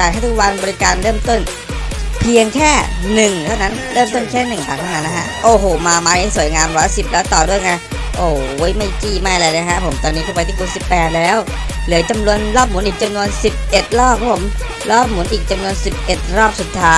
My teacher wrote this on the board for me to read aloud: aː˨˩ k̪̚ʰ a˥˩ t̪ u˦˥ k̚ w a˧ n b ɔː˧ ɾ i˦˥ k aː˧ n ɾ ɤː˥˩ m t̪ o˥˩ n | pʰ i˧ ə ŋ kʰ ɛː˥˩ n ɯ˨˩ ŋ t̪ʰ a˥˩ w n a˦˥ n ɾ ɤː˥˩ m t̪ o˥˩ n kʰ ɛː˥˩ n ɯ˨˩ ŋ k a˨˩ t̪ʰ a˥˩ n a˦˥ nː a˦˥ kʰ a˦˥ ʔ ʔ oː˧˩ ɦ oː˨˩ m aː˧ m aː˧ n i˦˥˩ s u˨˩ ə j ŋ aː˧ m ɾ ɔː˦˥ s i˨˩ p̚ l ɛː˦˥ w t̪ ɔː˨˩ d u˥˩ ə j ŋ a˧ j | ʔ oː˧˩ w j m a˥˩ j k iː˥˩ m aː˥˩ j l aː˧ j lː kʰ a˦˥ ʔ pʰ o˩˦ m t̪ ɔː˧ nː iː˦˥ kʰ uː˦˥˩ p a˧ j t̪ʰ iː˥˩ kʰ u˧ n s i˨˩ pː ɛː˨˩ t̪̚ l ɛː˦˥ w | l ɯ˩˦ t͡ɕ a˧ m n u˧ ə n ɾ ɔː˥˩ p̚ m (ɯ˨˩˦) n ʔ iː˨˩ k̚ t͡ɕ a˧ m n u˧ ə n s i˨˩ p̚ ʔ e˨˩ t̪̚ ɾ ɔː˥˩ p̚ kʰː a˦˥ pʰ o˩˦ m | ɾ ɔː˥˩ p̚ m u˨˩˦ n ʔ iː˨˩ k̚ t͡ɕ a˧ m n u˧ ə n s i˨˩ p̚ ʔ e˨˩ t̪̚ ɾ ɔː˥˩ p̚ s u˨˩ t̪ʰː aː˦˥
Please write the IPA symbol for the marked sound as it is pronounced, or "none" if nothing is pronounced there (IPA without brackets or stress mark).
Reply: u˨˩˦